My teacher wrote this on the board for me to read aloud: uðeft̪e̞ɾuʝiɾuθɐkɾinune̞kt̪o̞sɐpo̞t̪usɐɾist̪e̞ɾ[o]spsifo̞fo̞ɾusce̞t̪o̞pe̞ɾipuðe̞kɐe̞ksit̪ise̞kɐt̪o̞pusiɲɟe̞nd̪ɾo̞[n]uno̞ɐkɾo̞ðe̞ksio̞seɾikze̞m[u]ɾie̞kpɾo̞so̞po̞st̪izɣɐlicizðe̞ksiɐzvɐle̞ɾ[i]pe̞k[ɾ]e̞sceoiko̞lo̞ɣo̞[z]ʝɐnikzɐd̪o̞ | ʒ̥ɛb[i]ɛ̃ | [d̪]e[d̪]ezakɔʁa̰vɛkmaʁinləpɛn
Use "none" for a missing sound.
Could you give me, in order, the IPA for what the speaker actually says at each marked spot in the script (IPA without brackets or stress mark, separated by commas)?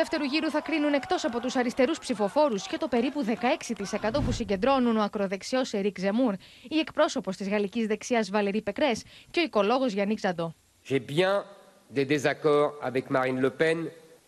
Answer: u, n, u, i, ɾ, z, j, d̪, d̪